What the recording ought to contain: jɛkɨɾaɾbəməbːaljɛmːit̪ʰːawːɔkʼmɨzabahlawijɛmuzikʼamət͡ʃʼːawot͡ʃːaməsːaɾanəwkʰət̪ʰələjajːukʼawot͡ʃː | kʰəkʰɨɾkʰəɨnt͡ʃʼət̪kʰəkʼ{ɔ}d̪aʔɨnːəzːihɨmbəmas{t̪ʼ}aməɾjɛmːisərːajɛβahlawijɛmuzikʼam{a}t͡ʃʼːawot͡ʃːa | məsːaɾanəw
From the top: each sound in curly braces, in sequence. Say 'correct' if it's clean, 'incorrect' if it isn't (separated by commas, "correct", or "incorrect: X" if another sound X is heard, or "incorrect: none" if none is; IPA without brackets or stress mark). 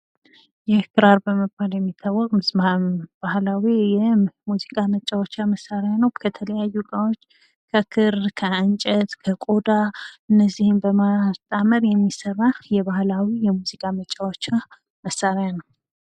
incorrect: o, correct, incorrect: ə